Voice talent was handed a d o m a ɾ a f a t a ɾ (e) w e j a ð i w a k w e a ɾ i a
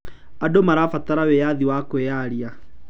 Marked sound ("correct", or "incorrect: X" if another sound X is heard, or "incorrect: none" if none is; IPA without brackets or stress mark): incorrect: a